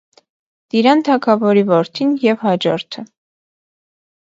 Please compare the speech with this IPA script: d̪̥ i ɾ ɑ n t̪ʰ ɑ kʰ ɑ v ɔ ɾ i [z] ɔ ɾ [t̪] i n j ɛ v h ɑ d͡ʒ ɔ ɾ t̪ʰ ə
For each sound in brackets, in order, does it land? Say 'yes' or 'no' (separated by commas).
no, no